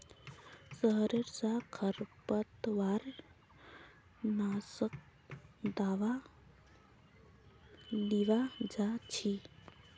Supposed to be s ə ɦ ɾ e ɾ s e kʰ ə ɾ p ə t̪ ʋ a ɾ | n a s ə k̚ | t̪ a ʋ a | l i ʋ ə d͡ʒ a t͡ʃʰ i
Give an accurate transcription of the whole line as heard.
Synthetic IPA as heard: s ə ɦ ɾ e ɾ s a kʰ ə ɾ p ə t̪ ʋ a ɾ | n a s ə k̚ | d̪ a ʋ a | l i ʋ a d͡ʒ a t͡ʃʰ i